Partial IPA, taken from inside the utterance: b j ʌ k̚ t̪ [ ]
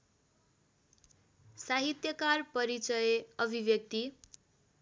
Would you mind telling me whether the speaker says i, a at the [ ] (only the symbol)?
i